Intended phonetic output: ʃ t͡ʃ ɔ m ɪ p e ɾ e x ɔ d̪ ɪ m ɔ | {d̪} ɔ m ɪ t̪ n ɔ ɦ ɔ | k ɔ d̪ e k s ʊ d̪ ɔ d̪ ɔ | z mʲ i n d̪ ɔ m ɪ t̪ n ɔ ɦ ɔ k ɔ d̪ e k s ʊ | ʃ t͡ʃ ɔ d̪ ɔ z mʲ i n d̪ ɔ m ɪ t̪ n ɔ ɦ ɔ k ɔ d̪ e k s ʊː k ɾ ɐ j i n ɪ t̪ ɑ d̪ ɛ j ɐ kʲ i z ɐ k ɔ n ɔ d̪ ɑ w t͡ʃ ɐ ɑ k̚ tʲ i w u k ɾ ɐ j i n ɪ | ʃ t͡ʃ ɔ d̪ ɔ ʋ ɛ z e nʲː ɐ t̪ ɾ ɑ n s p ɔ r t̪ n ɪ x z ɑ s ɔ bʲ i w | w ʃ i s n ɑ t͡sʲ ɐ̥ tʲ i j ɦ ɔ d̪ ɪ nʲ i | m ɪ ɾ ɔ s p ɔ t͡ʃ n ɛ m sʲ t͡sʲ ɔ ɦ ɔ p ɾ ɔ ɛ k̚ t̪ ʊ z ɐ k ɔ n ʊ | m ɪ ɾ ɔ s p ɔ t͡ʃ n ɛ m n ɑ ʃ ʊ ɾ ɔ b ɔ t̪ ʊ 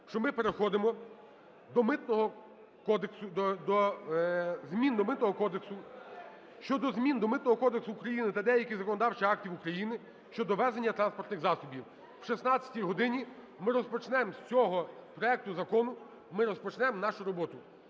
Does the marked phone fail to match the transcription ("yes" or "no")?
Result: no